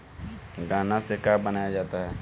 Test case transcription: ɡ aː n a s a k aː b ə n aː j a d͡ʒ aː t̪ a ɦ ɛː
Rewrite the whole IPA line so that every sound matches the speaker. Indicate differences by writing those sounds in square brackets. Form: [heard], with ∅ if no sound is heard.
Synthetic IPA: ɡ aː n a s [e] k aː b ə n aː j a d͡ʒ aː t̪ a ɦ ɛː